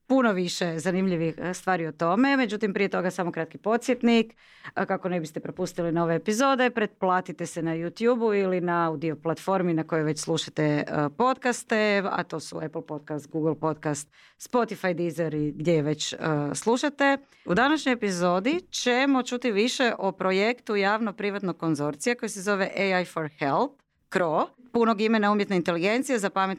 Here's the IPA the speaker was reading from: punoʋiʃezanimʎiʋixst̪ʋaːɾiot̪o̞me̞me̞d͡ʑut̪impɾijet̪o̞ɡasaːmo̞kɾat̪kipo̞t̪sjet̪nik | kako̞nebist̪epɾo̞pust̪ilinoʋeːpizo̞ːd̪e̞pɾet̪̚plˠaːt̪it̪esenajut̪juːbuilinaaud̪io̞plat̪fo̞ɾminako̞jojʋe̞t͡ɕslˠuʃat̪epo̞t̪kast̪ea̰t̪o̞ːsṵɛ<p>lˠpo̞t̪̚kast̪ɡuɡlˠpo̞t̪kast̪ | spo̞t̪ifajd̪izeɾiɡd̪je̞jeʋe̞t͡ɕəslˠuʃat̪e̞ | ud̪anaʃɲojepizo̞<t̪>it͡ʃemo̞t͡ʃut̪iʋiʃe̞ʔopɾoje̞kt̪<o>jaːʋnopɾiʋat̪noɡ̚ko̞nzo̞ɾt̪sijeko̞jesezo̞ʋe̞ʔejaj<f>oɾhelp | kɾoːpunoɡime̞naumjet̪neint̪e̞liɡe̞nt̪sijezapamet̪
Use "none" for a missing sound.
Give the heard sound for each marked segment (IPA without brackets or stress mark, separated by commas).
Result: p, d̪, u, f